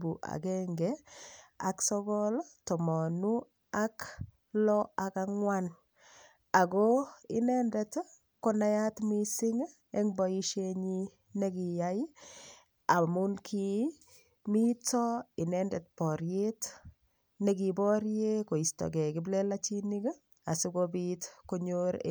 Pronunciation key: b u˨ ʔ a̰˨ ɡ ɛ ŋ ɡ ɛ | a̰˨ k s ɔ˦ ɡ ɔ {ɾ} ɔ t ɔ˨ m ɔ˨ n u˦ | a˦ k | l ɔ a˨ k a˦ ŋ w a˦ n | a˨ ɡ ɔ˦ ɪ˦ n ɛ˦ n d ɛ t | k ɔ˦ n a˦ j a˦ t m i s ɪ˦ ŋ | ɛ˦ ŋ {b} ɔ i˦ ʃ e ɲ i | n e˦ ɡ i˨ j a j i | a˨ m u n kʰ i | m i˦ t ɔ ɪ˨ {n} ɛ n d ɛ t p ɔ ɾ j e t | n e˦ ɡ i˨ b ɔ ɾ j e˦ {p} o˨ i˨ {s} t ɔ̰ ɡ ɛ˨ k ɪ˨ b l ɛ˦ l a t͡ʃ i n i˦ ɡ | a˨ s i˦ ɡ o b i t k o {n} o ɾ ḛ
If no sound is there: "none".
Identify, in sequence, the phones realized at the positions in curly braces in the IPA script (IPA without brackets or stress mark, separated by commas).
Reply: l, b, n, k, s, ɲ